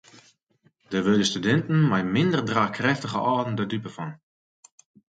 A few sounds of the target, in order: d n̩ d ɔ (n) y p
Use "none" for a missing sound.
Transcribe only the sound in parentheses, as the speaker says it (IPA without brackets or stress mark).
d